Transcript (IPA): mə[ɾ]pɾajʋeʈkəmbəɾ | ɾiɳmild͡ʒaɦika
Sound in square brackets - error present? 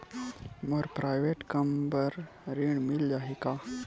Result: no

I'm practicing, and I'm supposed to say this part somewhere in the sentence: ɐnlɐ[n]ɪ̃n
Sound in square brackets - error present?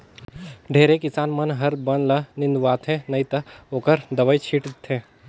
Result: no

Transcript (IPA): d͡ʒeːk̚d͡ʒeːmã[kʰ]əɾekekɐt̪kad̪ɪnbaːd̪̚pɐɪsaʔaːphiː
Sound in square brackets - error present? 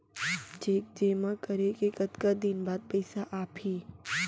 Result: yes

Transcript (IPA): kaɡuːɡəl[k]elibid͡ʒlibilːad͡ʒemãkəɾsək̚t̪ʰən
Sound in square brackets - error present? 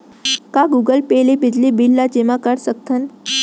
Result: yes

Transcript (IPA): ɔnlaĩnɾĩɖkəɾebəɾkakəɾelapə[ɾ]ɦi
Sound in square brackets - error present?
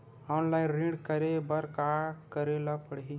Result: yes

